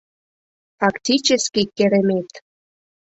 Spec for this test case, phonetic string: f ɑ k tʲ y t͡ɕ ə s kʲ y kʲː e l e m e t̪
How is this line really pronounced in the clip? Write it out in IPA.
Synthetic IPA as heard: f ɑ k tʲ i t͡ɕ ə s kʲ i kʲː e ɾ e m e t̪